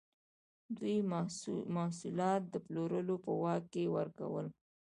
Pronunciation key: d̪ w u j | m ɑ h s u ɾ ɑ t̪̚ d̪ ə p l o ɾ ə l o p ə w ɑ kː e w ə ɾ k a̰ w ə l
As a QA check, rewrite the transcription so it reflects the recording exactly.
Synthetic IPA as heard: d̪ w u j | m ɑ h s u l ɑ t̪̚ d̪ ə p l o ɾ ə l o p ə w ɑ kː e w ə ɾ k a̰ w ə l